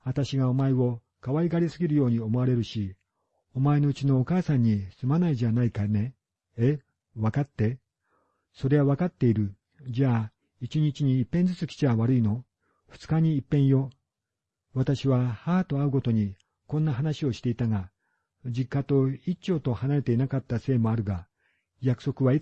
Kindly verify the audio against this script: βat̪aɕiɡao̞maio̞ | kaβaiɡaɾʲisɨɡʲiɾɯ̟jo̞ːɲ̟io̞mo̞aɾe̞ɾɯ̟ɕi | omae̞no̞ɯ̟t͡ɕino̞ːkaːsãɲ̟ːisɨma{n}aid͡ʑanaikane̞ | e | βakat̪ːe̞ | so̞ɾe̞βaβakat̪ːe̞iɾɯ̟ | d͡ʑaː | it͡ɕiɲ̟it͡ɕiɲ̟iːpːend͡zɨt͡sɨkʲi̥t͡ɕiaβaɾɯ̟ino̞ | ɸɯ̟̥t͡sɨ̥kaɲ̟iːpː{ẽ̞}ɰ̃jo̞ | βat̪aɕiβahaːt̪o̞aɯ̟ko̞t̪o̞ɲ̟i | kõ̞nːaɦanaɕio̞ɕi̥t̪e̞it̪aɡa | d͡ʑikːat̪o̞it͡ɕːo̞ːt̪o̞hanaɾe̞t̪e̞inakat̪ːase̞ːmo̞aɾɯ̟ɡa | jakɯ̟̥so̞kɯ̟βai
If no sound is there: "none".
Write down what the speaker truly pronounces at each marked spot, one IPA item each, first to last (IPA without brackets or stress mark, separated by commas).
n, ẽ̞